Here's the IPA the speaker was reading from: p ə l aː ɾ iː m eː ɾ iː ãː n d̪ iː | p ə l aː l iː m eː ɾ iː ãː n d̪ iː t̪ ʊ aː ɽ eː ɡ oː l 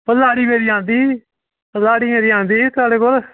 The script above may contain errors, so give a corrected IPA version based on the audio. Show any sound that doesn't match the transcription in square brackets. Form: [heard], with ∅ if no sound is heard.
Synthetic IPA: p ə l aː [ɽ] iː m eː ɾ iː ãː n d̪ iː | p ə l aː [ɽ] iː m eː ɾ iː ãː n d̪ iː t̪ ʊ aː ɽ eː [k] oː l

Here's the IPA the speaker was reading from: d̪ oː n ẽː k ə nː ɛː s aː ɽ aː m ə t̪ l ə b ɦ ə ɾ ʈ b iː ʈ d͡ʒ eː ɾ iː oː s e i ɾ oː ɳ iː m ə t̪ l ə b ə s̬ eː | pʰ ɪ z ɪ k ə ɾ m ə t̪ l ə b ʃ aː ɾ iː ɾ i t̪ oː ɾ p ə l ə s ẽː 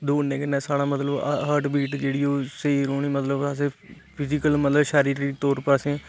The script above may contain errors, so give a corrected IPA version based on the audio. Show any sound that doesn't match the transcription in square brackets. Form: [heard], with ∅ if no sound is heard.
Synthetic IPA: d̪ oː n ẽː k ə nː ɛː s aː ɽ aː m ə t̪ l ə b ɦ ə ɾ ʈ b iː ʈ d͡ʒ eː [ɽ] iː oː s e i ɾ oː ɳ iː m ə t̪ l ə b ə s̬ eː | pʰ ɪ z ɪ k ə [l] m ə t̪ l ə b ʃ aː ɾ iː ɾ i t̪ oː ɾ p ə [ɾ] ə s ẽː

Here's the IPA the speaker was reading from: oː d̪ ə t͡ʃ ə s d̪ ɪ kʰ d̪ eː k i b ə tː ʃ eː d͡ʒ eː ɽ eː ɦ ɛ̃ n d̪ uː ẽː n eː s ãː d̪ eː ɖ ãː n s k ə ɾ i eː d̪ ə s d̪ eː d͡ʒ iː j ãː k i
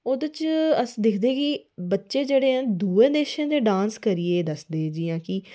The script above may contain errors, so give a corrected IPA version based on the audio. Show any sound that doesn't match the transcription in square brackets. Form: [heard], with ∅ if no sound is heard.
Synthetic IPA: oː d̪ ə t͡ʃ ə s d̪ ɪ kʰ d̪ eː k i b ə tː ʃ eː d͡ʒ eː ɽ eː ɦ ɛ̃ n d̪ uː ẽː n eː [ʃ] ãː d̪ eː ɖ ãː n s k ə ɾ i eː d̪ ə s d̪ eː d͡ʒ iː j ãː k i

